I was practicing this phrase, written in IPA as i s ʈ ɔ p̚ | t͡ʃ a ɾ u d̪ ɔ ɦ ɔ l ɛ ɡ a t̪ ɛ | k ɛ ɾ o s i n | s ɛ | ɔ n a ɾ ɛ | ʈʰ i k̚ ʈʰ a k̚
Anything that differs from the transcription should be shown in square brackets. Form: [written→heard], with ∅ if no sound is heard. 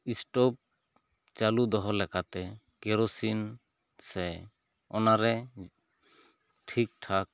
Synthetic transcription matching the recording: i s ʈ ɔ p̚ | t͡ʃ a [ɾ→l] u d̪ ɔ ɦ ɔ l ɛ [ɡ→k] a t̪ ɛ | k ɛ ɾ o s i n | s ɛ | ɔ n a ɾ ɛ | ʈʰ i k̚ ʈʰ a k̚